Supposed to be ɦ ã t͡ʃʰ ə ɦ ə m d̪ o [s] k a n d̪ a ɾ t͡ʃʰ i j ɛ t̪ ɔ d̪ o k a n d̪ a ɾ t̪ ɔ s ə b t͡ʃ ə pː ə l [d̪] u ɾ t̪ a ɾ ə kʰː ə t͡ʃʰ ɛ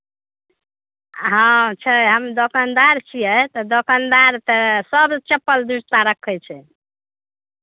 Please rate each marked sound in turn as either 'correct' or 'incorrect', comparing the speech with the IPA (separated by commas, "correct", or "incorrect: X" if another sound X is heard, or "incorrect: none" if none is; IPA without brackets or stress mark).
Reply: incorrect: none, correct